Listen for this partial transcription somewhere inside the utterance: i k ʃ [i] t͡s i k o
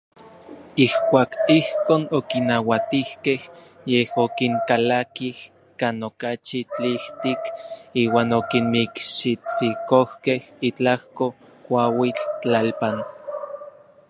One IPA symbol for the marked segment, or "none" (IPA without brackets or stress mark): i